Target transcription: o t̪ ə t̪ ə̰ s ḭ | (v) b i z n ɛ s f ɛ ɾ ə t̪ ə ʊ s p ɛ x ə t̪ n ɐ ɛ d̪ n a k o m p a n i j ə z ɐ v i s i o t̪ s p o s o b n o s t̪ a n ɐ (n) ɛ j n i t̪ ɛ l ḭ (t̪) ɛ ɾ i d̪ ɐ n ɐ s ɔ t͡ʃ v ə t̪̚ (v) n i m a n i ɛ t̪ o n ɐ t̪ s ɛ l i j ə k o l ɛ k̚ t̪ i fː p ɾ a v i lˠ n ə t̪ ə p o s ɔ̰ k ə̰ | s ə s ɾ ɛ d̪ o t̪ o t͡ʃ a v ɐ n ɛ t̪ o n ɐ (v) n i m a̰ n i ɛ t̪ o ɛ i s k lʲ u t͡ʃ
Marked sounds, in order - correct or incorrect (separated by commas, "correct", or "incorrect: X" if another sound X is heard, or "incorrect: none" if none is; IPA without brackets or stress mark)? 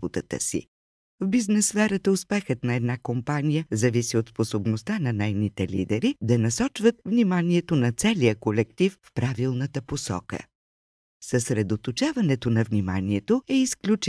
correct, correct, incorrect: d̪, correct, correct